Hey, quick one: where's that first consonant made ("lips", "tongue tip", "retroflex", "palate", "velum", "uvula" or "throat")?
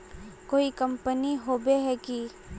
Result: velum